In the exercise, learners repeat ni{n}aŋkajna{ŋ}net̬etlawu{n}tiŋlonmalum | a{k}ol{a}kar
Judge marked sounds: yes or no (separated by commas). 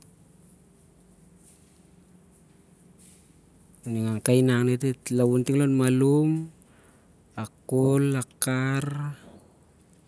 no, yes, yes, yes, yes